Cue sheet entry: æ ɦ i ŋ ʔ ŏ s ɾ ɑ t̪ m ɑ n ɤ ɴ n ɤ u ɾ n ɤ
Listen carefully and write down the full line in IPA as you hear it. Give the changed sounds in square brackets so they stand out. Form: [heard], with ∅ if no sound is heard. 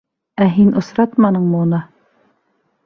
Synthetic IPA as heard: æ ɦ i [n] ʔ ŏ s ɾ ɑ t̪ m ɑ n ɤ ɴ [m] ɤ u [∅] n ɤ